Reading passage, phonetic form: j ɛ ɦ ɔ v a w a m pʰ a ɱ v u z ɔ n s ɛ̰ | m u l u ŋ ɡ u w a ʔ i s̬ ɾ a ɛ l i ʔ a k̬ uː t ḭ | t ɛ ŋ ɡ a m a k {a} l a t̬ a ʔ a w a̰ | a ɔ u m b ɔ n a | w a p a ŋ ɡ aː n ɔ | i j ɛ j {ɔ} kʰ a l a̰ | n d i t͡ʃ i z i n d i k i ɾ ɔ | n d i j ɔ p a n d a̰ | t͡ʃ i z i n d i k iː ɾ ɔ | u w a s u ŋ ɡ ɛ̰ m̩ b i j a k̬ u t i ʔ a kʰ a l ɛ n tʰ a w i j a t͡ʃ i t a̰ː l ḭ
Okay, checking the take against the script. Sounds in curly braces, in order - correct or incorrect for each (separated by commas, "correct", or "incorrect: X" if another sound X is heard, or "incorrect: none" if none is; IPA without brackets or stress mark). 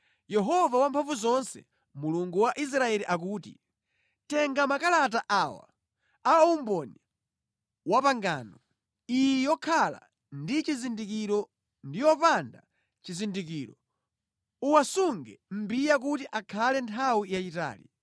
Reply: correct, correct